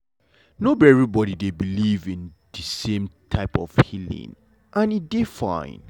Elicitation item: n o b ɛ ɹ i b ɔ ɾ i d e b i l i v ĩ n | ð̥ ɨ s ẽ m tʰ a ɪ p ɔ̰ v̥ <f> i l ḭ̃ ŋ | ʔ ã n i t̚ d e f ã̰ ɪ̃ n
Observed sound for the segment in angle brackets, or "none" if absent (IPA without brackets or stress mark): h